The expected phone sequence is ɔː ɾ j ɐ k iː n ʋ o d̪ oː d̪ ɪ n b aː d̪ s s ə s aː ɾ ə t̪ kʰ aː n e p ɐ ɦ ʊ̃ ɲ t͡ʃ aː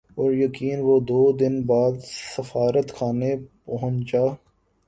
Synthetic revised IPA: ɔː ɾ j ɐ k iː n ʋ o d̪ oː d̪ ɪ n b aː d̪ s s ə f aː ɾ ə t̪ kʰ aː n e p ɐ ɦ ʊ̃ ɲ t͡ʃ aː